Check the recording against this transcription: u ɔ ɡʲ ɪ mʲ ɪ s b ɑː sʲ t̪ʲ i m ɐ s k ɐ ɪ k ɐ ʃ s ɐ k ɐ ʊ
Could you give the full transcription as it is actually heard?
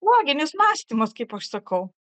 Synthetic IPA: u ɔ ɡʲ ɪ nʲ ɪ s m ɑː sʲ t̪ʲ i m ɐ s k ɐ ɪ p ɐ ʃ s ɐ k ɐ ʊ